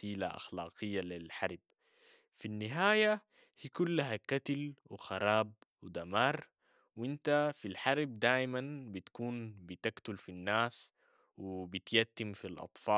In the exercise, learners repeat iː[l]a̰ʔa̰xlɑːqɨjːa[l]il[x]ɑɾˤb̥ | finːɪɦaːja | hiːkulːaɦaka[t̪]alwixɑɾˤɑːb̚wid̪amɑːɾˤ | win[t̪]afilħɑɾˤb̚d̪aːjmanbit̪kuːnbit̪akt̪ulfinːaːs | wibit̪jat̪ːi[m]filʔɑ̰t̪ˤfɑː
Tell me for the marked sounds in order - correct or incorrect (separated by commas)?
correct, correct, incorrect, correct, correct, correct